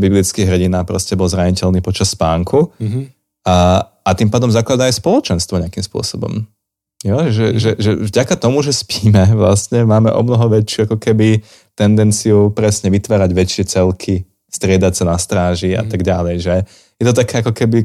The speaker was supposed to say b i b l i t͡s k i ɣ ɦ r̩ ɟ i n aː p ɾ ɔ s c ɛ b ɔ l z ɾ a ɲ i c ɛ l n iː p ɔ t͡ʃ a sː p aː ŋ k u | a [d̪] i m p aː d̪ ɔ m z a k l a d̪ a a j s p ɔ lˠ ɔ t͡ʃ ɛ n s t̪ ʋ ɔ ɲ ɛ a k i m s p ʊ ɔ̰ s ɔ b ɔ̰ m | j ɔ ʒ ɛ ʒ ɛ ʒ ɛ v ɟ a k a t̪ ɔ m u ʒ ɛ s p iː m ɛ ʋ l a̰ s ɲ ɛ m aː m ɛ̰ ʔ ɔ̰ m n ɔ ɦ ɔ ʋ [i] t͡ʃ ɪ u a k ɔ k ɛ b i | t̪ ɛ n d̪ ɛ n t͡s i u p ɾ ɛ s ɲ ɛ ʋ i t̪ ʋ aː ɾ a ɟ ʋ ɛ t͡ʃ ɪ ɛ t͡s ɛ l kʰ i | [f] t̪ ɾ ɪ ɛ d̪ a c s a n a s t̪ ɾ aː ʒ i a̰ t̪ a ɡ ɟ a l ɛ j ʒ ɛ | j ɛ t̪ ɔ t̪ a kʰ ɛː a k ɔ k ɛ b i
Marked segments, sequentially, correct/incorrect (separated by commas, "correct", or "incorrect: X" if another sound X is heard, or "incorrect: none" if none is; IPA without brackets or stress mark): incorrect: t̪, incorrect: ɛ, incorrect: s